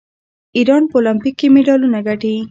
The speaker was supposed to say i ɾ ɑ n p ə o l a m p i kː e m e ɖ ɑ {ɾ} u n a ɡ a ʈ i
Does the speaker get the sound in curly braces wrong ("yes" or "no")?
yes